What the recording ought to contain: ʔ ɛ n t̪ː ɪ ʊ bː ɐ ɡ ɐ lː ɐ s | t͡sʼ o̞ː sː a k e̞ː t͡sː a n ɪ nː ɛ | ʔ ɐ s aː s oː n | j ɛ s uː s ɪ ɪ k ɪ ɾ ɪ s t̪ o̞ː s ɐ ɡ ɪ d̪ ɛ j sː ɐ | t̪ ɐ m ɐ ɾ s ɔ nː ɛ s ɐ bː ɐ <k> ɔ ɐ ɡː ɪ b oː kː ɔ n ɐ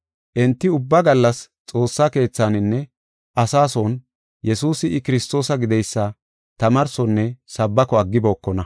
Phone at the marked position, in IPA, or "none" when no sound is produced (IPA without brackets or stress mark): k